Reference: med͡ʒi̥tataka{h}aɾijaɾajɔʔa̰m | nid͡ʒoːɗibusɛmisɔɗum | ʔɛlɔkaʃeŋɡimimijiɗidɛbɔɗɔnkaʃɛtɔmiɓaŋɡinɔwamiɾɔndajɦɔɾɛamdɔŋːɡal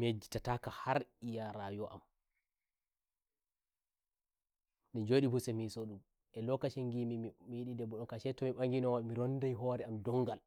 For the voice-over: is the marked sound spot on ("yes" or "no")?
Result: yes